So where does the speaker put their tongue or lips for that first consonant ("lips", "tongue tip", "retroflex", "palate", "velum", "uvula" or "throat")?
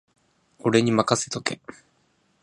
tongue tip